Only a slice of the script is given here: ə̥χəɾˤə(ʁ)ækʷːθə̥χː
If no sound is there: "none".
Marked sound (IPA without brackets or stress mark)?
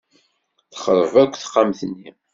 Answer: v